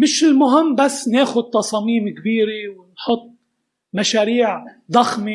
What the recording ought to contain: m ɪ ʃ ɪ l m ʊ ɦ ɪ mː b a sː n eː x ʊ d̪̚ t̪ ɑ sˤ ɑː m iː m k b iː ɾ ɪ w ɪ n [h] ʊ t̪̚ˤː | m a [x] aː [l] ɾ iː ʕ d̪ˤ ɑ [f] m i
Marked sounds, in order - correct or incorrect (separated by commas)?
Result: incorrect, incorrect, incorrect, incorrect